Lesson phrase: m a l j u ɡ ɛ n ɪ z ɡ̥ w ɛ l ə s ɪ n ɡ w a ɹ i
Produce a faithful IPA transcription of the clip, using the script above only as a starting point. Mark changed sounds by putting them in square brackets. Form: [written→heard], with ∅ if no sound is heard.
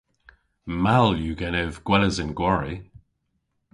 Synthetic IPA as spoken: m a l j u ɡ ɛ n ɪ [z→v] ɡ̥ w ɛ l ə [s→z] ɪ n ɡ w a ɹ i